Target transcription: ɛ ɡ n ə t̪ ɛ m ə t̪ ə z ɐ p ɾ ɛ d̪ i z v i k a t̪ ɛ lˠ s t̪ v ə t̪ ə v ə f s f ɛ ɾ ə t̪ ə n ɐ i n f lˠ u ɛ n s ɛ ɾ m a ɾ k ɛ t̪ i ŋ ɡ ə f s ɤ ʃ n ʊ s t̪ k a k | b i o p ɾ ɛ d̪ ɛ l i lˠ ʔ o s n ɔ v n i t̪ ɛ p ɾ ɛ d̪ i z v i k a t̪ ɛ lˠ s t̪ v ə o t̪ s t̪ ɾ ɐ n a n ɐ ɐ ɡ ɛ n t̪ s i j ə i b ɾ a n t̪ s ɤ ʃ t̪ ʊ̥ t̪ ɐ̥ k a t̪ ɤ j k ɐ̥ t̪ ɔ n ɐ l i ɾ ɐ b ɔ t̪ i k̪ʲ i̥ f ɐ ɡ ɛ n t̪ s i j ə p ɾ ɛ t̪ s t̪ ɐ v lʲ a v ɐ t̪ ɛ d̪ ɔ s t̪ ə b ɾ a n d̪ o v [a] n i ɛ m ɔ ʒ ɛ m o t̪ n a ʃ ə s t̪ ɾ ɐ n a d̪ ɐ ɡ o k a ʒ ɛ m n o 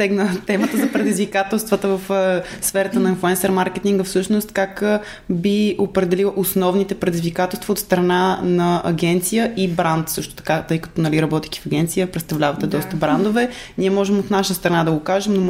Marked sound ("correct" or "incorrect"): incorrect